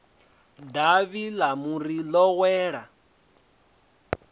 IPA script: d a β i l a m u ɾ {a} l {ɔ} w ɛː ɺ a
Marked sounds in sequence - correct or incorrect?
incorrect, correct

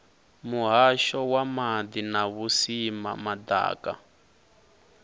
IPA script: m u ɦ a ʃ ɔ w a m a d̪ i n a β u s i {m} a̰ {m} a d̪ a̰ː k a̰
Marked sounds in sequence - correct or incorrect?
correct, correct

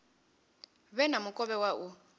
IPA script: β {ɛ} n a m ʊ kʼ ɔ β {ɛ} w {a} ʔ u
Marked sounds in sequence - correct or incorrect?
correct, correct, correct

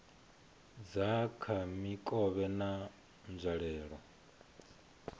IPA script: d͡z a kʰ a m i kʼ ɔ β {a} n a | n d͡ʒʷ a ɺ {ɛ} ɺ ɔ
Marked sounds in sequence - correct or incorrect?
incorrect, incorrect

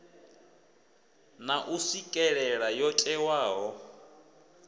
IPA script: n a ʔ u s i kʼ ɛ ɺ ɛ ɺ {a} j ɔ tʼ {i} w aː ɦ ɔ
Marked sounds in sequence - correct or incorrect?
correct, incorrect

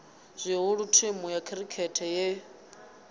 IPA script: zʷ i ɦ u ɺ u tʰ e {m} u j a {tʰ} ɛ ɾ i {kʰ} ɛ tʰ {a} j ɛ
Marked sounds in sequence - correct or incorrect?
correct, incorrect, correct, incorrect

